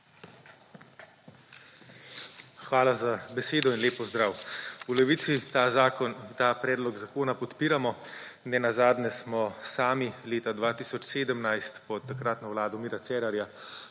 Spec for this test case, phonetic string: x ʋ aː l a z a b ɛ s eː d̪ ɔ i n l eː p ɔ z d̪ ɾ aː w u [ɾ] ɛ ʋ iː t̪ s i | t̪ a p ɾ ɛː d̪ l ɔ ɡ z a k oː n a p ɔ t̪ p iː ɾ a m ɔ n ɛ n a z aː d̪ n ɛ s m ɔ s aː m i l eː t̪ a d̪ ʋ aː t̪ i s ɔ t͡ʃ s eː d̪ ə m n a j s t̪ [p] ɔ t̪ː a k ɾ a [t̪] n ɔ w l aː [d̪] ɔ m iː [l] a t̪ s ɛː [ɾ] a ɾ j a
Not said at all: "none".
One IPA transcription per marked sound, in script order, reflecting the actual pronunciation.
l, p, t̪, d̪, ɾ, ɾ

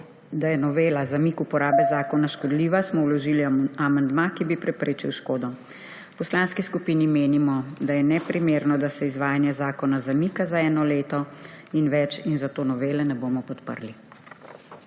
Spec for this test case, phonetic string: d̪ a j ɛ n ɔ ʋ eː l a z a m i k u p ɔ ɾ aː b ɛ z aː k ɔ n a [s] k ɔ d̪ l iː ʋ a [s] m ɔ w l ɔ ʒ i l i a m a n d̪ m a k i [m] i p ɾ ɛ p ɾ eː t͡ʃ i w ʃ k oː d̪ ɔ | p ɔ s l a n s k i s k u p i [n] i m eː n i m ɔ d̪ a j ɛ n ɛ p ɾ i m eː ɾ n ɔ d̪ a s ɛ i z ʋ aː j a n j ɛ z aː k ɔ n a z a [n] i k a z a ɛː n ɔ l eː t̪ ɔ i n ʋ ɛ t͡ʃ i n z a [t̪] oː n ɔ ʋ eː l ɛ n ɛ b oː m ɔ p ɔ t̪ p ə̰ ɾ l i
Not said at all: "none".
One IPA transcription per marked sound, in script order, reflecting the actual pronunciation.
ʃ, s, b, n, m, t̪

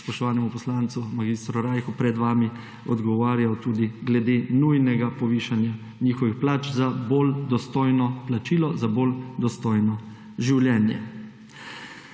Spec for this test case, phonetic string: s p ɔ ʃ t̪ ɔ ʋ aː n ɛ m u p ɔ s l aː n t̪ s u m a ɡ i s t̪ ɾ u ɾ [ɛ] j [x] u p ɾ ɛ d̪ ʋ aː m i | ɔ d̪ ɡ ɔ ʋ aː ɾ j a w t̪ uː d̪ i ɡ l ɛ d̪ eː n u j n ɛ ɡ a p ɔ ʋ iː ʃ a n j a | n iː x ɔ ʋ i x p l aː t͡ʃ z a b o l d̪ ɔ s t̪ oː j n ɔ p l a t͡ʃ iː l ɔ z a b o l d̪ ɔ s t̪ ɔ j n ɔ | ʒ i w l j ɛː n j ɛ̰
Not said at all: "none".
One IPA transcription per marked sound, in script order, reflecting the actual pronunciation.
a, x

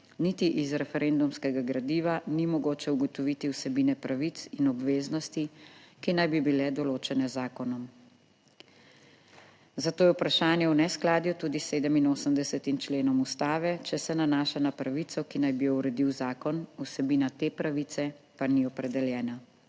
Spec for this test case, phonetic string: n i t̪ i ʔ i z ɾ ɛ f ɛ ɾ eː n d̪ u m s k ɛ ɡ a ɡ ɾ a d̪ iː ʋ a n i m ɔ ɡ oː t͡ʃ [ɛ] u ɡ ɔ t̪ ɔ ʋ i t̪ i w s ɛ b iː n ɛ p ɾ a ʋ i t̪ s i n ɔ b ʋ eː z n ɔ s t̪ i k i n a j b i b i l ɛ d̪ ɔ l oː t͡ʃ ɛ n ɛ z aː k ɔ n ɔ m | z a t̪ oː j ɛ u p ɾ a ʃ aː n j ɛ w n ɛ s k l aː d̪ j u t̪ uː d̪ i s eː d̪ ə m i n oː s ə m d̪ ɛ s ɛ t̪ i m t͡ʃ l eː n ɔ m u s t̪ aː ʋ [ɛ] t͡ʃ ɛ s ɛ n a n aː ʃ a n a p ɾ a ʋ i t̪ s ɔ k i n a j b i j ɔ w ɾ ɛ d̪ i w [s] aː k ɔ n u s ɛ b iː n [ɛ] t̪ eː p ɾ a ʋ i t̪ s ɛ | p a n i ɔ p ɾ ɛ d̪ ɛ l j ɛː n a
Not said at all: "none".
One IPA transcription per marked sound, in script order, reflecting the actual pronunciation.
ɛ, ɛ, z, a

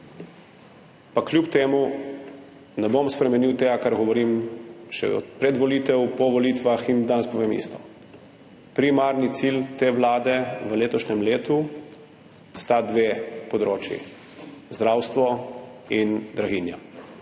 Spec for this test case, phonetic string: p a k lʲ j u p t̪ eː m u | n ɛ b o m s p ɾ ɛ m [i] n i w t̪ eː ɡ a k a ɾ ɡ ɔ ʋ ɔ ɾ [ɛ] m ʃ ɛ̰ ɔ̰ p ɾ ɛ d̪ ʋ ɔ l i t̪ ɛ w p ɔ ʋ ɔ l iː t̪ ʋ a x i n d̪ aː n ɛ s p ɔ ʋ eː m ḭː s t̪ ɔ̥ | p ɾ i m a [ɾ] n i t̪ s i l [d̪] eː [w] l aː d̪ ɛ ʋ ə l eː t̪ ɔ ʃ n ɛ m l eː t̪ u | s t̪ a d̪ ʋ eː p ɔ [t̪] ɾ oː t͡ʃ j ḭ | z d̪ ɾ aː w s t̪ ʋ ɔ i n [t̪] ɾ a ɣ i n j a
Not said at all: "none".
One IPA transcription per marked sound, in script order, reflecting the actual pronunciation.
ɛ, i, ɾ, t̪, ʋ, d̪, d̪

